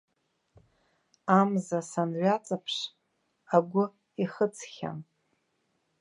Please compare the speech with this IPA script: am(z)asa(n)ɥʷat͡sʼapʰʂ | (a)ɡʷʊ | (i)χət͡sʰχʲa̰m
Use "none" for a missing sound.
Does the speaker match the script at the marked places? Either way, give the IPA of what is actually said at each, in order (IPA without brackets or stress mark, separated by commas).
z, n, a, i